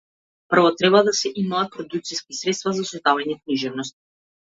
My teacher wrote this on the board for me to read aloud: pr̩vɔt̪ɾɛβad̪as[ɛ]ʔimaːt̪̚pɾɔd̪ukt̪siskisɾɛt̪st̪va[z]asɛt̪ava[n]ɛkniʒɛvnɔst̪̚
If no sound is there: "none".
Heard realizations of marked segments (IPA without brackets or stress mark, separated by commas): ɛ, z, ɲ